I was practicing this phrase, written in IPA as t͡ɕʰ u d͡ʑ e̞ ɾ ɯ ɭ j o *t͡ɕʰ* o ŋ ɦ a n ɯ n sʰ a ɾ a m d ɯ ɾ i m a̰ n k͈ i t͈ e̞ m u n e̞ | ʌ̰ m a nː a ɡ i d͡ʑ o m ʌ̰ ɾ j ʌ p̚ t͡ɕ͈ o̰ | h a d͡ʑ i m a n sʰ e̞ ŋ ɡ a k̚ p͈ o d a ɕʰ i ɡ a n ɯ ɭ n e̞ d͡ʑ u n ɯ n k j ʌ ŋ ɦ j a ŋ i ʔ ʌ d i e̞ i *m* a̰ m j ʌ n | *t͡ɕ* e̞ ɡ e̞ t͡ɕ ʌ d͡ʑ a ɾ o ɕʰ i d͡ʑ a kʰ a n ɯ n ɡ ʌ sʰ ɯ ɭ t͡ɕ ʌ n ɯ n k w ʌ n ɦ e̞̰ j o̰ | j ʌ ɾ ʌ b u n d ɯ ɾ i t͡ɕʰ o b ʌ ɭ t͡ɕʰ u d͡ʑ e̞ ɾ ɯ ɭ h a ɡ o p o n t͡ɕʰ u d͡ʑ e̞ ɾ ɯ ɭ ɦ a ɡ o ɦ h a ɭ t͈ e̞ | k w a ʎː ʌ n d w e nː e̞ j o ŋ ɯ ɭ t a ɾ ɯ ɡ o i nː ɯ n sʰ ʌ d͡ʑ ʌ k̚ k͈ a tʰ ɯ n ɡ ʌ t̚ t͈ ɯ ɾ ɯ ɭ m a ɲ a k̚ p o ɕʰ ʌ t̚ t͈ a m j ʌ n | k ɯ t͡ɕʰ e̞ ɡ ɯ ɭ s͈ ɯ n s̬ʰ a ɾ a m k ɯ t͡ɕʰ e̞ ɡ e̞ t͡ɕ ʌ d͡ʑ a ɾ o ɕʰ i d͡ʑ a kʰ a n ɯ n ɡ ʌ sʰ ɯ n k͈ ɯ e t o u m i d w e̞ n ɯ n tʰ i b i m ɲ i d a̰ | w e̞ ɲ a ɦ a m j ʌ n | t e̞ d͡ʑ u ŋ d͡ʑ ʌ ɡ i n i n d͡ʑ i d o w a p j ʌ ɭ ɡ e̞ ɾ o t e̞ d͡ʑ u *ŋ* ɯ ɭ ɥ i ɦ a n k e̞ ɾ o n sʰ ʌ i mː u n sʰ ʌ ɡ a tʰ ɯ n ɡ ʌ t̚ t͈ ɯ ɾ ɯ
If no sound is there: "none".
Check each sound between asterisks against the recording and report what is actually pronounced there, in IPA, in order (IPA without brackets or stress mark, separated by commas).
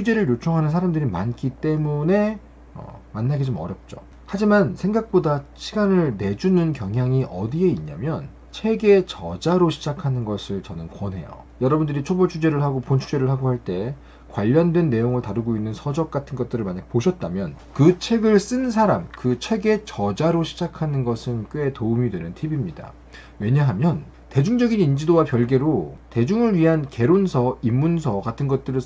t͡ɕʰ, ɲ, t͡ɕʰ, ŋ